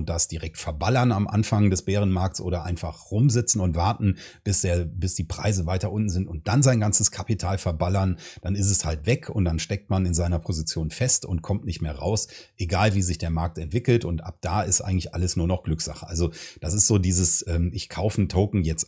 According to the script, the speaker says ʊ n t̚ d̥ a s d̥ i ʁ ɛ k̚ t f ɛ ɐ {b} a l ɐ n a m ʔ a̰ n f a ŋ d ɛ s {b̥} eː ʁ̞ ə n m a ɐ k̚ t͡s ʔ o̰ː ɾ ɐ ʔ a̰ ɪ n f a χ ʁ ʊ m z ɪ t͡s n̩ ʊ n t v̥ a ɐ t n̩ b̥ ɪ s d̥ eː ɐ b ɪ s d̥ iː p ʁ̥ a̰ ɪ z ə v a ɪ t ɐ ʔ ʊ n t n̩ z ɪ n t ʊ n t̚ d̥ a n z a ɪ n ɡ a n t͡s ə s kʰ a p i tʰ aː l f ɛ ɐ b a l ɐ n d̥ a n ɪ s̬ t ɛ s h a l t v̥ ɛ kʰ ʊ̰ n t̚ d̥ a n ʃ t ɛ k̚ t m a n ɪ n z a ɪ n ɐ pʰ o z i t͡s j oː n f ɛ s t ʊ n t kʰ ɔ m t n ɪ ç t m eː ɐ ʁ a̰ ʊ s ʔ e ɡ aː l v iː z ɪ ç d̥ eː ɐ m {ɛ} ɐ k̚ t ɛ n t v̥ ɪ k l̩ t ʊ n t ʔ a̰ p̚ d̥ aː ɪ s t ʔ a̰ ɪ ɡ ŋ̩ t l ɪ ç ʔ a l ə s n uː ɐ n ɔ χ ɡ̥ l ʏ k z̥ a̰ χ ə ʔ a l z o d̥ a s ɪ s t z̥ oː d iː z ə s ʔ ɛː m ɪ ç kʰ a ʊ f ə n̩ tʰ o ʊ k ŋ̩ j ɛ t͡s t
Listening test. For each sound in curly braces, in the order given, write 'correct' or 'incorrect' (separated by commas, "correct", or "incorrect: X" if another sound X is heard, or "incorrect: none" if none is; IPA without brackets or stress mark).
correct, correct, incorrect: a